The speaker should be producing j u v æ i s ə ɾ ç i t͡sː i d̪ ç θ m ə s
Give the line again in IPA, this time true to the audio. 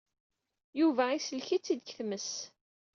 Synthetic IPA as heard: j u v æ i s ə l ç i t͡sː i d̪ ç θ m ə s